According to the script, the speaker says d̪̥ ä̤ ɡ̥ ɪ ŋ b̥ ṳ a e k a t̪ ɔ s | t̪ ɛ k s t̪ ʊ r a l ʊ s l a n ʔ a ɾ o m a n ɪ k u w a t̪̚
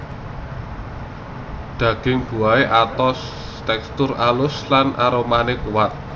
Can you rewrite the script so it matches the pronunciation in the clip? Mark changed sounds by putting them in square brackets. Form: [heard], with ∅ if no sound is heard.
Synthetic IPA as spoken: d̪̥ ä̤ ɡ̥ ɪ ŋ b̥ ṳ a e [ʔ] a t̪ ɔ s | t̪ ɛ k s t̪ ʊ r a l ʊ s l a n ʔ a ɾ o m a n ɪ k u w a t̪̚